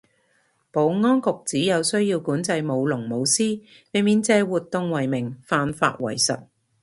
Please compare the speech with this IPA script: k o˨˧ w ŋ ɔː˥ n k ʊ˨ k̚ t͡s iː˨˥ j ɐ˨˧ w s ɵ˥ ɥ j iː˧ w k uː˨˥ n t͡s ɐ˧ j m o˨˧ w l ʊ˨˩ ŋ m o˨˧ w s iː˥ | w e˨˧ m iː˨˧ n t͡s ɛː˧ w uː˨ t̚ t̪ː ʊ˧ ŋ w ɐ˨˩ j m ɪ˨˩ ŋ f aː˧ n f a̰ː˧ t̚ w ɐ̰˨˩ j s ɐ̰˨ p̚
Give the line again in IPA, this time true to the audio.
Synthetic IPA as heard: p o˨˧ w ŋ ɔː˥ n k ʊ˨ k̚ t͡s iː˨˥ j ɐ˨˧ w s ɵ˥ ɥ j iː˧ w k uː˨˥ n t͡s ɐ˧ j m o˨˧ w l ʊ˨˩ ŋ m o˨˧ w s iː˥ | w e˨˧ m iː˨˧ n t͡s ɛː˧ w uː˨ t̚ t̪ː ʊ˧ ŋ w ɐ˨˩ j m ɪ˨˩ ŋ f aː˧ n f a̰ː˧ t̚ w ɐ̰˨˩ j s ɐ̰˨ t̚